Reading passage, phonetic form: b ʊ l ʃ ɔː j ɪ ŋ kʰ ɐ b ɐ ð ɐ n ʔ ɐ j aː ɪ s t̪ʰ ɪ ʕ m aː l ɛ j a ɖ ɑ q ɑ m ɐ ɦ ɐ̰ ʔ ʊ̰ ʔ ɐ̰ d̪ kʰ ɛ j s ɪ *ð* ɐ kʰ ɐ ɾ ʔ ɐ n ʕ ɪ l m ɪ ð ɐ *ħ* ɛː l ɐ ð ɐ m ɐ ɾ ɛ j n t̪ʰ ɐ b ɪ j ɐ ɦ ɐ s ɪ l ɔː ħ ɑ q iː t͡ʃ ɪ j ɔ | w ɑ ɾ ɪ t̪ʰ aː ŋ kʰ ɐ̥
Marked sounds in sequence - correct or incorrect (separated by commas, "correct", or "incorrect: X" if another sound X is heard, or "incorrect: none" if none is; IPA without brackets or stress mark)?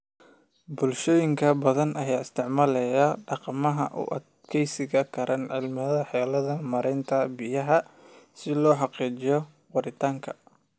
incorrect: ɣ, correct